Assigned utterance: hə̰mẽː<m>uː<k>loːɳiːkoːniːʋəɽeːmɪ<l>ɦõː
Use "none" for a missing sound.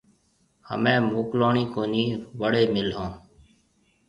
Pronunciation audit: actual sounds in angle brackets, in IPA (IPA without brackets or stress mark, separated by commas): m, k, l